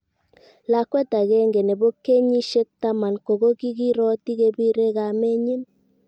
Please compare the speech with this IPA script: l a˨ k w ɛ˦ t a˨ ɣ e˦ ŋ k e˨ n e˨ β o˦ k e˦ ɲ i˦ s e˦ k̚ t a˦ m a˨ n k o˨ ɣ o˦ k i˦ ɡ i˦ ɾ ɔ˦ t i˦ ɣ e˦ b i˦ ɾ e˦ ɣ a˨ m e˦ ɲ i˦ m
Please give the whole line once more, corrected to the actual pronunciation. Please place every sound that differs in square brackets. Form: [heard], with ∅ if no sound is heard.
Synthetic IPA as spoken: l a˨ k w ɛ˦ t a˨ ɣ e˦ ŋ [ɡ] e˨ n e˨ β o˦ k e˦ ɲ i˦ [ʃ] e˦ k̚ t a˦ m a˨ n k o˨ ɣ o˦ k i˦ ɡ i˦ ɾ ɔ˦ t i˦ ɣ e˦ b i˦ ɾ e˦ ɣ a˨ m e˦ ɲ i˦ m